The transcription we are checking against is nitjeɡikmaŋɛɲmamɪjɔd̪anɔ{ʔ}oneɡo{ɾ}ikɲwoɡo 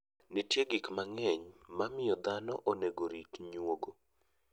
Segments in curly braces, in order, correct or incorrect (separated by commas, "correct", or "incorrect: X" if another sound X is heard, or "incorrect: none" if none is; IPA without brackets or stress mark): correct, correct